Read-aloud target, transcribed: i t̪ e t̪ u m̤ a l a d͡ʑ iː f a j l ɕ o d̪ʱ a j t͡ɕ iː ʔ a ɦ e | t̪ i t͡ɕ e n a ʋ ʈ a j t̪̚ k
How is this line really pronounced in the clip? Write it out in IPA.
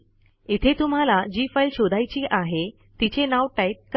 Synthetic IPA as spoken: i t̪ʰ e t̪ u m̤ a l a d͡ʑ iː f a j l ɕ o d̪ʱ a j t͡ɕ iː ʔ a ɦ e | t̪ i t͡ɕ e n a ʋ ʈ a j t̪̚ k